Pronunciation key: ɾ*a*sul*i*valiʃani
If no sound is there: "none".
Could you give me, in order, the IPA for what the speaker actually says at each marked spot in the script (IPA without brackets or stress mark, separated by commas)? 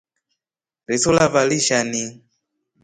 i, a